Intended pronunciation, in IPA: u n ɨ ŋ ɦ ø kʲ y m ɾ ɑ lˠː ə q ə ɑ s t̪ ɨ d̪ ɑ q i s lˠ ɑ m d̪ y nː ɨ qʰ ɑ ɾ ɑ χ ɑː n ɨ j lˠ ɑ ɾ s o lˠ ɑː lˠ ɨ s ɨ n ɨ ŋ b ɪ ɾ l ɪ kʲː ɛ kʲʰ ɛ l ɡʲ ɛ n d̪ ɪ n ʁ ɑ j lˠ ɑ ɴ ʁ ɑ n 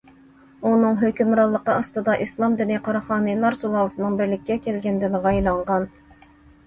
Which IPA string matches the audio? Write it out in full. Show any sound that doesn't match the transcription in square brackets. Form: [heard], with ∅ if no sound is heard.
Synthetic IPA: u n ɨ ŋ ɦ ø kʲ y m ɾ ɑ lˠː ə q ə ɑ s t̪ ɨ d̪ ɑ [ʔ] i s lˠ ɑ m d̪ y [n] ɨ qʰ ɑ ɾ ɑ χ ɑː n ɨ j lˠ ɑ ɾ s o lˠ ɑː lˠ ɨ s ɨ n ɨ ŋ b ɪ ɾ l ɪ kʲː ɛ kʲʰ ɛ l ɡʲ ɛ n d̪ ɪ n ʁ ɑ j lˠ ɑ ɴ ʁ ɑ n